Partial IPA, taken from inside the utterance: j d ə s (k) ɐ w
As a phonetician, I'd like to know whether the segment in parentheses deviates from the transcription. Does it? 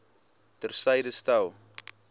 yes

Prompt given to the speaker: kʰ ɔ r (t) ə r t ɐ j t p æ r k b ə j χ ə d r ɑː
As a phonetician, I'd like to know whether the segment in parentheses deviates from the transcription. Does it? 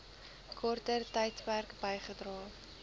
no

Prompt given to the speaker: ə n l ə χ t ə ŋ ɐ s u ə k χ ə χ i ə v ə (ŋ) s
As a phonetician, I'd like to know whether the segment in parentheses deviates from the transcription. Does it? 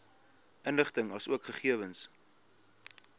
yes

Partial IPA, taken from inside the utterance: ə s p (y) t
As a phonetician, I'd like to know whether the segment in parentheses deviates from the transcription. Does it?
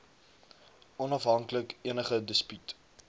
no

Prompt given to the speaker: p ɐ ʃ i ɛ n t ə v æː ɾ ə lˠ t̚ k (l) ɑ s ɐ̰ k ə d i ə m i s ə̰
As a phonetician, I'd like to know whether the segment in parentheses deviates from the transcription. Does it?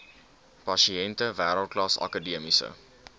no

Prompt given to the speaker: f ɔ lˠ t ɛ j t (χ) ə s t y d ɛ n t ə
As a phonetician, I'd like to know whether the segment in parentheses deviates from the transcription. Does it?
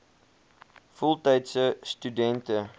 yes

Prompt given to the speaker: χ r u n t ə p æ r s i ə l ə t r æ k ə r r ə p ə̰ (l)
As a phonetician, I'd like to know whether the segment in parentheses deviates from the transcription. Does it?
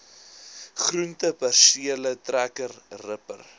yes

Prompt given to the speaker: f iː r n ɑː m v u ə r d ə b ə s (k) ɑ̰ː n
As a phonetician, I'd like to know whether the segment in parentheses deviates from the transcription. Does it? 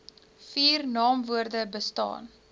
yes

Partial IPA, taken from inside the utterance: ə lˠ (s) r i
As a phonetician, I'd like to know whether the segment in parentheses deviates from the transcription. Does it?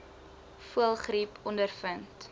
yes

